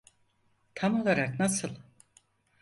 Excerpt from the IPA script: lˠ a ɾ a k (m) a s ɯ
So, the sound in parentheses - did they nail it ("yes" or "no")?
no